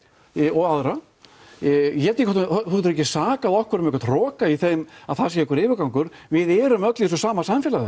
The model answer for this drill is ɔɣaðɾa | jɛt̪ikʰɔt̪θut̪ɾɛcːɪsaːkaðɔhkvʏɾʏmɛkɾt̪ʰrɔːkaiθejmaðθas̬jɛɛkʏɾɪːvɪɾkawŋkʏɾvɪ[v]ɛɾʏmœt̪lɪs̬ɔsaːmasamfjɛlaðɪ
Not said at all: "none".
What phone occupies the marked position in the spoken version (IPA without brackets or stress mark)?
ð